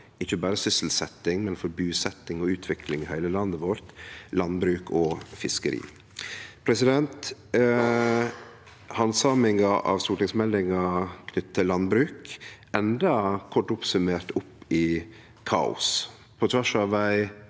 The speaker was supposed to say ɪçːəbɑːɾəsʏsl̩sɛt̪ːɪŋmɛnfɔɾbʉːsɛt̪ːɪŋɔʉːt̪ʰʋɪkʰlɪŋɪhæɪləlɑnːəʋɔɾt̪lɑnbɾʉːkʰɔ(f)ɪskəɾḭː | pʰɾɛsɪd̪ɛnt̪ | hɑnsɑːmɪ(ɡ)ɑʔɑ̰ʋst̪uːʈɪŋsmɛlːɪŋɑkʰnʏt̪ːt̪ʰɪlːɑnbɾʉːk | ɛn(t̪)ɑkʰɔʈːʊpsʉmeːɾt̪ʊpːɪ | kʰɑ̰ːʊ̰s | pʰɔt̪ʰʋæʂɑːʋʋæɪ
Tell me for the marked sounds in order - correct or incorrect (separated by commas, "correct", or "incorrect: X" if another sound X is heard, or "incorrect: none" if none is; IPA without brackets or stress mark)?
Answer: correct, incorrect: ŋ, incorrect: d̪